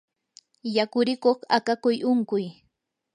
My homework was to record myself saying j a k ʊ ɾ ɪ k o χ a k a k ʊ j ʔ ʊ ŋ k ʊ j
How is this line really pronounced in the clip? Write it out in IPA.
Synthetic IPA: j a k ʊ ɾ ɪ k o χ a k a k ʊ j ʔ ʊ ŋ k ʊ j

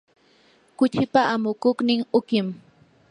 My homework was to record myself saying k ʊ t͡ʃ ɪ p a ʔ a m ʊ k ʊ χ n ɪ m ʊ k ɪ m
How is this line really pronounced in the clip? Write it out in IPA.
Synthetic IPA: k ʊ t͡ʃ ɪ p a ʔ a m ʊ k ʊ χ n ɪ ŋ ʊ k ɪ m

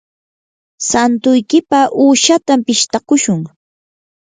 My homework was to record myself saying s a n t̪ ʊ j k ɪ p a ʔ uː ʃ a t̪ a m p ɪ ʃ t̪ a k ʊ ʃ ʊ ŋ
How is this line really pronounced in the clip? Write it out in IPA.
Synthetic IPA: s a n t̪ ʊ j k ɪ p a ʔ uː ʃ a t̪ a m p ɪ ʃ t̪ a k ʊ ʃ ʊ ŋ

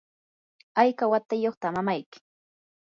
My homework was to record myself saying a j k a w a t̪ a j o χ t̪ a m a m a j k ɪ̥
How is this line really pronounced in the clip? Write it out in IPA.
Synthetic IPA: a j k a w a t̪ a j o χ t̪ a m a m a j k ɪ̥

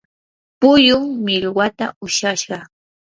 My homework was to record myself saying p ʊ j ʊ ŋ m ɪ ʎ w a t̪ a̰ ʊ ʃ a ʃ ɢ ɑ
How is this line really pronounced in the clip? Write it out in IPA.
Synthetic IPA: p ʊ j ʊ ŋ m ɪ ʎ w a t̪ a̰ ʊ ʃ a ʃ ɢ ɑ

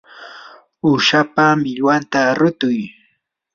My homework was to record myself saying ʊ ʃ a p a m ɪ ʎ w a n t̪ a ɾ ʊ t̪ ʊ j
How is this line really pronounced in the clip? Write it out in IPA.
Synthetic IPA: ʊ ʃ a p a m ɪ ʎ w a n t̪ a ɾ ʊ t̪ ʊ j

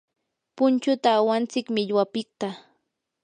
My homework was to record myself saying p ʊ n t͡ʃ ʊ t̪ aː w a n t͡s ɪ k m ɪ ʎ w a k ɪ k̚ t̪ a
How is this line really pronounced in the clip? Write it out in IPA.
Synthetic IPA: p ʊ n t͡ʃ ʊ t̪ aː w a n t͡s ɪ k m ɪ ʎ w a p ɪ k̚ t̪ a

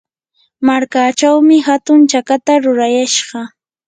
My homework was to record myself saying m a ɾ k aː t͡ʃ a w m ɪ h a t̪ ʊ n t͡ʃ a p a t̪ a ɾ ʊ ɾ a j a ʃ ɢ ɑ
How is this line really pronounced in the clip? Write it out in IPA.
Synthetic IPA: m a ɾ k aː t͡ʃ a w m ɪ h a t̪ ʊ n t͡ʃ a k a t̪ a ɾ ʊ ɾ a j a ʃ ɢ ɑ

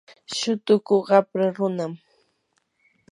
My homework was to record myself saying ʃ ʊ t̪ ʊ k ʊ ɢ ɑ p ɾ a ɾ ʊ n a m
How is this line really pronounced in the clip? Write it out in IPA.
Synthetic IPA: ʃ ʊ t̪ ʊ k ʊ ɢ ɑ p ɾ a ɾ ʊ n a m

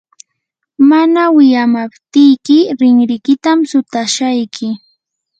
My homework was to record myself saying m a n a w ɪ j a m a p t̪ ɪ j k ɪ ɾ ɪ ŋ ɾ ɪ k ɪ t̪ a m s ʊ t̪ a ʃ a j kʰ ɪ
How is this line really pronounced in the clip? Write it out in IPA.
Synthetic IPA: m a n a w ɪ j a m a p t̪ ɪ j k ɪ ɾ ɪ ŋ ɾ ɪ k ɪ t̪ a m s ʊ t̪ a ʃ a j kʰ ɪ

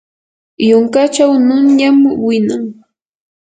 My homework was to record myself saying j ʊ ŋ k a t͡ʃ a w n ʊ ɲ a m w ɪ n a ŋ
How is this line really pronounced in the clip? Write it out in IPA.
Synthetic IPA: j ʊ ŋ k a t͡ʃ a w n ʊ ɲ a m w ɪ n a ŋ

